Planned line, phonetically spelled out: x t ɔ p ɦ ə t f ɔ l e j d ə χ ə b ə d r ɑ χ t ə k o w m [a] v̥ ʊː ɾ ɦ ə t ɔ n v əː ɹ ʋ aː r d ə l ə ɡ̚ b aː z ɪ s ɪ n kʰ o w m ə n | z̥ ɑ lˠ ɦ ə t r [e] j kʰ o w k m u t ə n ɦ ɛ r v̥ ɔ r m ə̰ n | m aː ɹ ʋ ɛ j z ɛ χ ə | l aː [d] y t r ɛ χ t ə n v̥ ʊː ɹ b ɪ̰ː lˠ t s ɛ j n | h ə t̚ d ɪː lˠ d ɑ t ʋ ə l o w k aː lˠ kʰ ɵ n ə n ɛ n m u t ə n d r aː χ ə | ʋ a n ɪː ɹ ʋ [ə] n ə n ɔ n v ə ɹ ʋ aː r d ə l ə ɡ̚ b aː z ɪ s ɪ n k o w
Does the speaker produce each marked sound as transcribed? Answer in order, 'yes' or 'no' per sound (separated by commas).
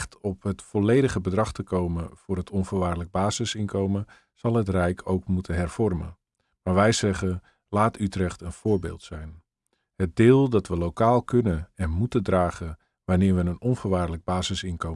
no, no, no, yes